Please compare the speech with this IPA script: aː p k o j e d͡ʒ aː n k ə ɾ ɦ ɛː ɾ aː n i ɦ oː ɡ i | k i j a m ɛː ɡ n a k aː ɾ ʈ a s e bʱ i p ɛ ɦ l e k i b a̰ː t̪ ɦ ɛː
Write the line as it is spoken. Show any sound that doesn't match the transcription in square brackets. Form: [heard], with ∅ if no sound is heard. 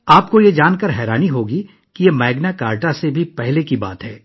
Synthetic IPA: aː p k o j e d͡ʒ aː n k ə ɾ ɦ ɛː ɾ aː n i ɦ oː ɡ i | k i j [e] m ɛː ɡ n a k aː ɾ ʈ a s e bʱ i p ɛ ɦ l e k i b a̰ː t̪ ɦ ɛː